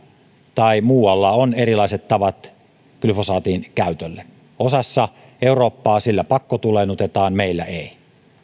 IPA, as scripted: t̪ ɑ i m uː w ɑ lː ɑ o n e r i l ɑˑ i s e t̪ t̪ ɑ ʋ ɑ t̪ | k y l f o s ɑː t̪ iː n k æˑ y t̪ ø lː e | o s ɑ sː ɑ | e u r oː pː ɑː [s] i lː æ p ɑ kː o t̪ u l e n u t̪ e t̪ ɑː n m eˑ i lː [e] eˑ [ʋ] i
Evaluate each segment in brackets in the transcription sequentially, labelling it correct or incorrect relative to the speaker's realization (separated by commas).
correct, incorrect, incorrect